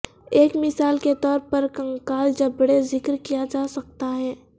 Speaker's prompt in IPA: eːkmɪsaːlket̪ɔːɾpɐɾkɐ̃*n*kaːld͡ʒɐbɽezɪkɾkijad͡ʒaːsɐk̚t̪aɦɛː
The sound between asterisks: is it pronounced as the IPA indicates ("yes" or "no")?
no